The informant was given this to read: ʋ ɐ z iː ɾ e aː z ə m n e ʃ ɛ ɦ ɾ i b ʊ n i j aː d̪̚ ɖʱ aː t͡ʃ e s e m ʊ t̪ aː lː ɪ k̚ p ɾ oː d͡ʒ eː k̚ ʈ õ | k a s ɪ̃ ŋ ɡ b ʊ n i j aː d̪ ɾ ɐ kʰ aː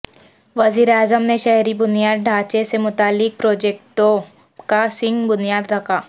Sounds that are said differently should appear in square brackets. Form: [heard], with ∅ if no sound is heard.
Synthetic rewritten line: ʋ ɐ z iː ɾ e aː z ə m n e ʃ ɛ ɦ ɾ i b ʊ n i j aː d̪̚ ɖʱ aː t͡ʃ e s e m ʊ t̪ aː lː ɪ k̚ p ɾ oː d͡ʒ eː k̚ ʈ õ | k a s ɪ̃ ŋ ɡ b ʊ n i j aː d̪ ɾ ɐ kʰ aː

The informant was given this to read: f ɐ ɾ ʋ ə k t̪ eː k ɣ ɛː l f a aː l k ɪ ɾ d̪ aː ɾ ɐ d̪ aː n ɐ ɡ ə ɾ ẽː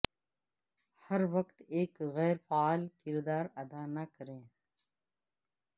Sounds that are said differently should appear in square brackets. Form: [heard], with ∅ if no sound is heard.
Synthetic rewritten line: [h] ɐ ɾ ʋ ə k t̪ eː k ɣ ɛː [ɾ] f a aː l k ɪ ɾ d̪ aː ɾ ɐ d̪ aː n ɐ [k] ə ɾ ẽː

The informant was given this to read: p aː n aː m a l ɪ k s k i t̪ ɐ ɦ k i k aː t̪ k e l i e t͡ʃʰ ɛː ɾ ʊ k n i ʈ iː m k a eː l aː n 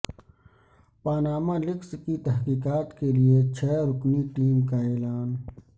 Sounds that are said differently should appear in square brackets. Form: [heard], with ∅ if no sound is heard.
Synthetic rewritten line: p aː n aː m a l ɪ k s k i t̪ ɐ ɦ k [iː] k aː t̪ k e l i e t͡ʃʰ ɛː ɾ ʊ k n i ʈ iː m k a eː l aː n

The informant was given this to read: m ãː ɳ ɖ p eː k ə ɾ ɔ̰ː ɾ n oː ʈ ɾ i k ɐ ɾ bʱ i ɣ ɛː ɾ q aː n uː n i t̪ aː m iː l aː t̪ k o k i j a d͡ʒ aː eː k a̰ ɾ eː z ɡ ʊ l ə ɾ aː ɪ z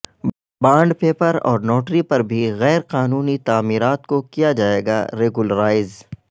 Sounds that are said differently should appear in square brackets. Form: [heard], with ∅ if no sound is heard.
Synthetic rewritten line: [b] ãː ɳ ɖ p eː [p] ə ɾ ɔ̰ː ɾ n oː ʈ ɾ i [p] ɐ ɾ bʱ i ɣ ɛː ɾ q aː n uː n i t̪ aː m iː [ɾ] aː t̪ k o k i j a d͡ʒ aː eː [ɡ] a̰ ɾ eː [∅] ɡ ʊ l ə ɾ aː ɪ z

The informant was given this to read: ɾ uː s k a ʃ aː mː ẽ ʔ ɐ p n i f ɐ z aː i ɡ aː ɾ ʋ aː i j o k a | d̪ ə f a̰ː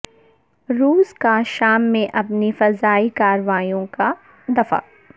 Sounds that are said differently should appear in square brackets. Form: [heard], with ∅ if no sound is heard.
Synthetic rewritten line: ɾ uː s k a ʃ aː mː ẽ ʔ ɐ p n i f ɐ z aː i [k] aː ɾ ʋ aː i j [õ] k a | d̪ [ɐ] f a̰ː

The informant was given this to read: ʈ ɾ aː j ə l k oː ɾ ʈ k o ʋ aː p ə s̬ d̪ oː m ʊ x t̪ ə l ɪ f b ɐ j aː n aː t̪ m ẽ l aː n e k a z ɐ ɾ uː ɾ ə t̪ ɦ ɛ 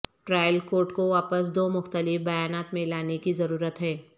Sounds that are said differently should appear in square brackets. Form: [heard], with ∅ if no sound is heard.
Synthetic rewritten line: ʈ ɾ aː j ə l k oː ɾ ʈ k o ʋ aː p ə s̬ d̪ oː m ʊ x t̪ ə l ɪ f b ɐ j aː n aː t̪ m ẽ l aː n e k [i] z ɐ ɾ uː ɾ ə t̪ ɦ [ɛː]

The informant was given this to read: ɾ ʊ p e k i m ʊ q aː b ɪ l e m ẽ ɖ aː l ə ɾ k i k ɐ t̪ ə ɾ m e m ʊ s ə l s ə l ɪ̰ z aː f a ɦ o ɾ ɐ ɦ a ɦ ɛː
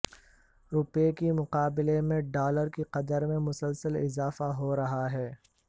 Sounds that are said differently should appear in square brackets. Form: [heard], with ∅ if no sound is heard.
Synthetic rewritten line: ɾ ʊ p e k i m ʊ q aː b ɪ l e m ẽ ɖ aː l ə ɾ k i [q] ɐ [d̪] ə ɾ m [ẽ] m ʊ s ə l s ə l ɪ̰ z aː f a ɦ o ɾ ɐ ɦ a ɦ ɛː

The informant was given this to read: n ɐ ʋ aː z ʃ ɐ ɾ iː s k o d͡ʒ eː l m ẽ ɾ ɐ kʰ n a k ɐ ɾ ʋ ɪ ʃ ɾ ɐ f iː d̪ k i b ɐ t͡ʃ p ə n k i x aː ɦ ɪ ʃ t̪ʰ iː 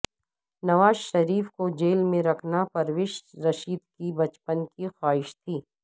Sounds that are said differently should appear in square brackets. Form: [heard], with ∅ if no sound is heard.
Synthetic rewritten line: n ɐ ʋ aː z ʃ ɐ ɾ iː [f] k o d͡ʒ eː l m ẽ ɾ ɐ kʰ n a [p] ɐ ɾ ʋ ɪ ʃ ɾ ɐ [ʃ] iː d̪ k i b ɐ t͡ʃ p ə n k i x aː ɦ ɪ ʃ t̪ʰ iː

